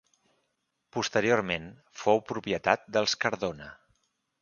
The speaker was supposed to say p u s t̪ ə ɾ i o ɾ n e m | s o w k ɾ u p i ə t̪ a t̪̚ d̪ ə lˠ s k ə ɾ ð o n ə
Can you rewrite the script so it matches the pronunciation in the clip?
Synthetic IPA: p u s t̪ ə ɾ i o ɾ m e n | f o w p ɾ u p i ə t̪ a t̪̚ d̪ ə lˠ s k ə ɾ ð o n ə